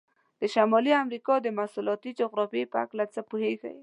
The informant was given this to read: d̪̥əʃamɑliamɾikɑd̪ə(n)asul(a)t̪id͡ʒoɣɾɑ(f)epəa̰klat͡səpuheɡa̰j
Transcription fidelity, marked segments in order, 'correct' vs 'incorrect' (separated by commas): incorrect, incorrect, correct